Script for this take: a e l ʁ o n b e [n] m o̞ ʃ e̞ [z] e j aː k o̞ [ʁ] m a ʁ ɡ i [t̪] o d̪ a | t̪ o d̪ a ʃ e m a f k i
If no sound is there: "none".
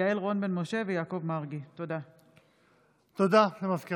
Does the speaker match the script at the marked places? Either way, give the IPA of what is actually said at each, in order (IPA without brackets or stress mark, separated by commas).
n, v, v, t̪